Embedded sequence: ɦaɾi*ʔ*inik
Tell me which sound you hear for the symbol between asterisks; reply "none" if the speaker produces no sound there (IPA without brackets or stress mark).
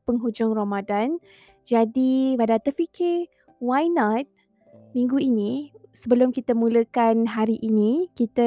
ʔ